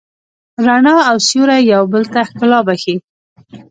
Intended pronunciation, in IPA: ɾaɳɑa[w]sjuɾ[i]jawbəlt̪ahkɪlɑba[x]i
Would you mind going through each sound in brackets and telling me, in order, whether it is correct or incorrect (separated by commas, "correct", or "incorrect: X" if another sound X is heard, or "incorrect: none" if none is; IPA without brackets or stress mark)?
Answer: correct, incorrect: a, correct